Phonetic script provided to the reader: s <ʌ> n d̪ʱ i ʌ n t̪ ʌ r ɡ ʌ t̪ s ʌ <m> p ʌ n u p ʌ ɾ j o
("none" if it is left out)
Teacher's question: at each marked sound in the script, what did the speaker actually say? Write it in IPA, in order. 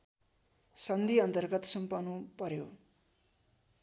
ʌ, m

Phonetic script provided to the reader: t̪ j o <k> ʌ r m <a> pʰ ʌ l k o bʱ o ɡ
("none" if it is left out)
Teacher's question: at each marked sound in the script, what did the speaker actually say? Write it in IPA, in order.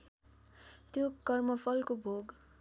k, ʌ

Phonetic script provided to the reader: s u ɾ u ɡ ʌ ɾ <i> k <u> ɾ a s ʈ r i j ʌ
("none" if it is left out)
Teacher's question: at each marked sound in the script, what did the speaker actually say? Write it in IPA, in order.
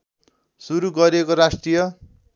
e, o

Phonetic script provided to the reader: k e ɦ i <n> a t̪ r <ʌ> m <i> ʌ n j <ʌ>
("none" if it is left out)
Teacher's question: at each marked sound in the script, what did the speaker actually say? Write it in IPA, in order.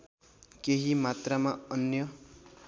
m, a, a, ʌ

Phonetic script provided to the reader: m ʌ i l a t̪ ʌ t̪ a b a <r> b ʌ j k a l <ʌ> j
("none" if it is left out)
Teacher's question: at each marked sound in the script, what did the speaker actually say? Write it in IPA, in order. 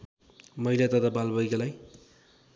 l, a

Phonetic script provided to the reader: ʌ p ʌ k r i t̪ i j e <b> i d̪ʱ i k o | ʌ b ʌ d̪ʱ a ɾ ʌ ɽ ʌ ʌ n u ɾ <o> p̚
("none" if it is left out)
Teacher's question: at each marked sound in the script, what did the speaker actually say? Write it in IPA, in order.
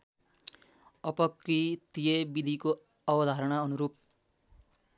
b, u

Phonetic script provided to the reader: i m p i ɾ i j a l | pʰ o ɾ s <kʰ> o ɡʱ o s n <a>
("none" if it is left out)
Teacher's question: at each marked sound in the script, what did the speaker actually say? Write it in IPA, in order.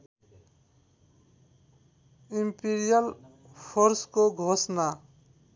k, a

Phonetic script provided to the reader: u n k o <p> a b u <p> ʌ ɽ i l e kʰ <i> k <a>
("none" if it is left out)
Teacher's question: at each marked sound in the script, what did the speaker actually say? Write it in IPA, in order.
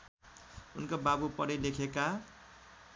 b, p, e, a

